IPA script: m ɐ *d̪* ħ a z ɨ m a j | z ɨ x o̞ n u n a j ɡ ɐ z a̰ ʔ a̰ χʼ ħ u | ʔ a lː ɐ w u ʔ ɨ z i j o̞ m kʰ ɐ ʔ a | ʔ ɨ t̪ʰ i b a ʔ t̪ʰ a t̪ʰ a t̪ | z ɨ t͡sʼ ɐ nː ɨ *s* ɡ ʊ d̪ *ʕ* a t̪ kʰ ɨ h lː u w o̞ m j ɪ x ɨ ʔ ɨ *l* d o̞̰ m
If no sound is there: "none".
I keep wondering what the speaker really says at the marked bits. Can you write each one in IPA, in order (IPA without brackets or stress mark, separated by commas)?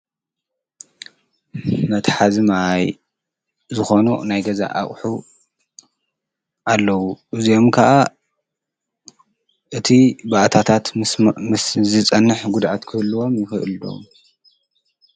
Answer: t̪, ħ, ʕ, l